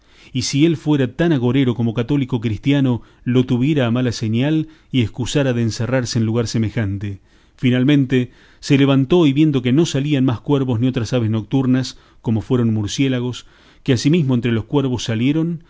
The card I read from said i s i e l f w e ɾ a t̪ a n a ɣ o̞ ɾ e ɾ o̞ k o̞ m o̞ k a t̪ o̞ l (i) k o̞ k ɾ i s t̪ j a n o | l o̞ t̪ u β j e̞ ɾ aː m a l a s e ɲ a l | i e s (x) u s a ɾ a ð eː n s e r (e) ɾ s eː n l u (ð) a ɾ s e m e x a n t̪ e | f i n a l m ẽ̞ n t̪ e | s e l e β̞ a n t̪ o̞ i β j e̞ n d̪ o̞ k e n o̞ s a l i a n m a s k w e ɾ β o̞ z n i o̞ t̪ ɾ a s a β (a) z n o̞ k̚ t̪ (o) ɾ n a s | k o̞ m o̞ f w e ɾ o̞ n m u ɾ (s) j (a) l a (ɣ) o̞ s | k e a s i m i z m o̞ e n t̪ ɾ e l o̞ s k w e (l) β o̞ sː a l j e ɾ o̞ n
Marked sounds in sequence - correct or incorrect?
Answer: correct, incorrect, incorrect, incorrect, incorrect, incorrect, correct, incorrect, correct, incorrect

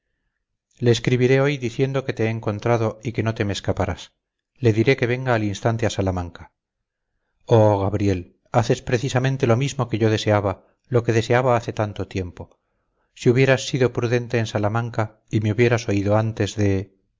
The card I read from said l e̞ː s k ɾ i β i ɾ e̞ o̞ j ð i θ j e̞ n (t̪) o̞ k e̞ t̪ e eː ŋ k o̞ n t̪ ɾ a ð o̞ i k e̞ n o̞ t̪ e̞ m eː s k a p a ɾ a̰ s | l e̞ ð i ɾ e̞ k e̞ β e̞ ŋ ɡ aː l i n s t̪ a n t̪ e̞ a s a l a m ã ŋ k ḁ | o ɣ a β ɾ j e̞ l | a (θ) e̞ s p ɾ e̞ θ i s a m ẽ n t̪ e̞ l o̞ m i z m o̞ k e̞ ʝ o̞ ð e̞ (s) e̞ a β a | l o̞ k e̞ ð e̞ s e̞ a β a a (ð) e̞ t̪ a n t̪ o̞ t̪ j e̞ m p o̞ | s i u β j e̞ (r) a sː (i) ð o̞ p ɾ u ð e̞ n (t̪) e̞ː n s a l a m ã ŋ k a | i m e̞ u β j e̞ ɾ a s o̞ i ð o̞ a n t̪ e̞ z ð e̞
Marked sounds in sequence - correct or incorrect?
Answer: incorrect, correct, correct, incorrect, incorrect, correct, correct

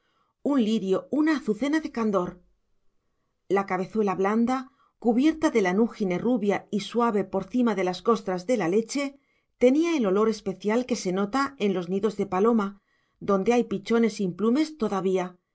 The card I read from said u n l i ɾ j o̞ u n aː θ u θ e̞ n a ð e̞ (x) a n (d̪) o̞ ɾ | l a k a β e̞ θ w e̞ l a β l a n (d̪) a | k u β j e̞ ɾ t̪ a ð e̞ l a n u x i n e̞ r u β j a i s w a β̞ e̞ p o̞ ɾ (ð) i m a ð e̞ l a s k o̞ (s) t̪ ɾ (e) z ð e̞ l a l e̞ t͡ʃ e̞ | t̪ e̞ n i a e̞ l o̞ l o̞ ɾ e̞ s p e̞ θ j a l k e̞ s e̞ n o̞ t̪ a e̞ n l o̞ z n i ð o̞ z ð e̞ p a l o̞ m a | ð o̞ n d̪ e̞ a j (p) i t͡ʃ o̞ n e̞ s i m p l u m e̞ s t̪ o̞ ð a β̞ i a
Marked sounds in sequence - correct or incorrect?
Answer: incorrect, correct, correct, incorrect, correct, incorrect, correct

